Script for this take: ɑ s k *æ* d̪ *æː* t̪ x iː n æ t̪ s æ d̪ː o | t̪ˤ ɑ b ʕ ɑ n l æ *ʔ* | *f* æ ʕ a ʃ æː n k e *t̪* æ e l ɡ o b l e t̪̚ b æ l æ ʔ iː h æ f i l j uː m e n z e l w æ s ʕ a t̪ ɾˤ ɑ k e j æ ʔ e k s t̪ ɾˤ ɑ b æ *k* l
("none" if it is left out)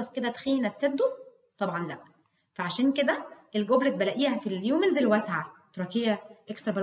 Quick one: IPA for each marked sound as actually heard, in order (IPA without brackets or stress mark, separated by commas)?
e, æ, ʔ, f, d̪, none